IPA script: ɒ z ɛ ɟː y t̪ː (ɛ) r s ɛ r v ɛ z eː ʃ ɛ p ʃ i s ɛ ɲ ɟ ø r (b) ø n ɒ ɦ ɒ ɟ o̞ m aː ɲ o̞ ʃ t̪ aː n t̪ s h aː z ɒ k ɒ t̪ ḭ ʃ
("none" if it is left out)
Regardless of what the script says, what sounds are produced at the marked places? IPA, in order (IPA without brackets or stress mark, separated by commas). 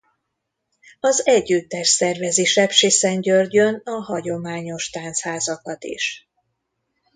ɛ, ɟ